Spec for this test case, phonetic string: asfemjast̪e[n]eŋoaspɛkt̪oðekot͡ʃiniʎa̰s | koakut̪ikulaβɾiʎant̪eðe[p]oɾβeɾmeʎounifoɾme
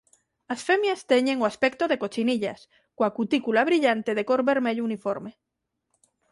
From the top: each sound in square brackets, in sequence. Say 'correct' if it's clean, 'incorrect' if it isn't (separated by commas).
incorrect, incorrect